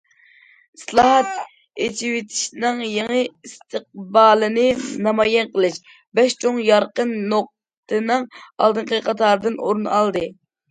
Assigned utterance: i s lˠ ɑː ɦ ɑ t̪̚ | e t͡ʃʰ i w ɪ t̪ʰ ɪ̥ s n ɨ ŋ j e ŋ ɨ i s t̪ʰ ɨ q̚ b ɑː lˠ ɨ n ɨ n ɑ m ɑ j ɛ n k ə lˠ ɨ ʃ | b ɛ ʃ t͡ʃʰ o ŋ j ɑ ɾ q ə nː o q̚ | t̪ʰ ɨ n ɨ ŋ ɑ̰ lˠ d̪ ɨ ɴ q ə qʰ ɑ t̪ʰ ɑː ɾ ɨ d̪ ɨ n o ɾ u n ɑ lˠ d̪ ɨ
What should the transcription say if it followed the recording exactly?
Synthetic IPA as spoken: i s lˠ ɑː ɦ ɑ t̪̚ | e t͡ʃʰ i w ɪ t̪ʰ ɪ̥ ʃ n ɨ ŋ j e ŋ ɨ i s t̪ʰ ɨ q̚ b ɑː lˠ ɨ n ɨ n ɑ m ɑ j ɛ n q ə lˠ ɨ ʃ | b ɛ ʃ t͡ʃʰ o ŋ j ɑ ɾ q ə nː o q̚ | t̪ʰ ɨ n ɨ ŋ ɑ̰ lˠ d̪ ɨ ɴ q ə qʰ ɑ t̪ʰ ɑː ɾ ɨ d̪ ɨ n o ɾ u n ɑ lˠ d̪ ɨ

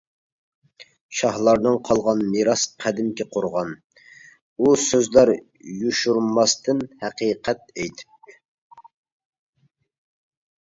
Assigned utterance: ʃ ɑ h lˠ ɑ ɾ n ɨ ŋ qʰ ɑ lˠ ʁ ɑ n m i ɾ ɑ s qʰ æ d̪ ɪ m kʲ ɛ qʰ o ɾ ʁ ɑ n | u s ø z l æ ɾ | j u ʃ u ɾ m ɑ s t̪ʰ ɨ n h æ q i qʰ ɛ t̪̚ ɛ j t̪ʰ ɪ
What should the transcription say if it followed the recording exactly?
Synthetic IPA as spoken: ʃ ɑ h lˠ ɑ ɾ n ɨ ŋ qʰ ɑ lˠ ʁ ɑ n m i ɾ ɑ s qʰ æ d̪ ɪ m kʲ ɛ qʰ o ɾ ʁ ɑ n | u s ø z l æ ɾ | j u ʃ u ɾ m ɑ s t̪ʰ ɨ n h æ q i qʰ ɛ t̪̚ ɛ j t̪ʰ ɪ

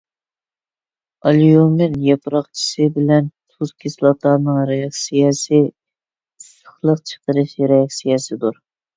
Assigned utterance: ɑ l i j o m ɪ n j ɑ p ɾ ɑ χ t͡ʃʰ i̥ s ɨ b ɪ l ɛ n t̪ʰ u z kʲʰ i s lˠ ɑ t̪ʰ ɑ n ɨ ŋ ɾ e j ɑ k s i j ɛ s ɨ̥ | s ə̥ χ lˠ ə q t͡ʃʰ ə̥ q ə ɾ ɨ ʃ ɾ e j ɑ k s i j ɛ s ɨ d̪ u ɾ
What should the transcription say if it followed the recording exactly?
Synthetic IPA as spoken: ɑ l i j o m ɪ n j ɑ p ɾ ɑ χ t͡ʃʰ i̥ s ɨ b ɪ l ɛ n t̪ʰ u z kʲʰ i s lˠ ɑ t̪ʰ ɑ n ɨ ŋ ɾ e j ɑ k s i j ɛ s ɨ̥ | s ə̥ χ lˠ ə q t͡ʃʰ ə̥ q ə ɾ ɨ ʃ ɾ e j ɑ k s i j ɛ s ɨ d̪ u ɾ

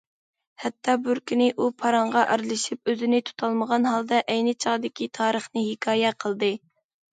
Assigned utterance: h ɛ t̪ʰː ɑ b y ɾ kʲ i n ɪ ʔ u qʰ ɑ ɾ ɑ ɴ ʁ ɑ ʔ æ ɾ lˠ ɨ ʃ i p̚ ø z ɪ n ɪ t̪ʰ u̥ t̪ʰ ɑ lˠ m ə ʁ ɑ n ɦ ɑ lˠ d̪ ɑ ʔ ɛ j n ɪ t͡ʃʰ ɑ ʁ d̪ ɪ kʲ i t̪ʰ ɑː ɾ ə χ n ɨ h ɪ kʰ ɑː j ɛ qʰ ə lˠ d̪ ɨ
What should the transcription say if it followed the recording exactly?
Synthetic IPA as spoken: h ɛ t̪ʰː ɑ b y ɾ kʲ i n ɪ ʔ u pʰ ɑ ɾ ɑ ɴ ʁ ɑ ʔ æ ɾ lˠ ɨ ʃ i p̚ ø z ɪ n ɪ t̪ʰ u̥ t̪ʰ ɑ lˠ m ə ʁ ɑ n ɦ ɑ lˠ d̪ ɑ ʔ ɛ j n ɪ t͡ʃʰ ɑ ʁ d̪ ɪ kʲ i t̪ʰ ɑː ɾ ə χ n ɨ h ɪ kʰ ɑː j ɛ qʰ ə lˠ d̪ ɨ

